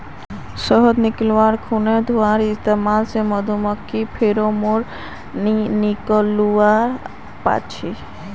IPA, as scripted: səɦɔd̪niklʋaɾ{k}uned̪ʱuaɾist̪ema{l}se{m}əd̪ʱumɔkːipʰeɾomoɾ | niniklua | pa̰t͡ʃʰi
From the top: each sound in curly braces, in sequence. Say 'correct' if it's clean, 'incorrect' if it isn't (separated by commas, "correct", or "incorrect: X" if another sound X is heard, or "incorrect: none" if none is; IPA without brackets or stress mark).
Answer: incorrect: kʰ, correct, correct